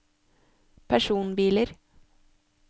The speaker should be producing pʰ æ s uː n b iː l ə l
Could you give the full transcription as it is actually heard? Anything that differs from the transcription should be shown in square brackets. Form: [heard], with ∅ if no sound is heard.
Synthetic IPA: pʰ æ [ʃ] uː n b iː l ə [ɾ]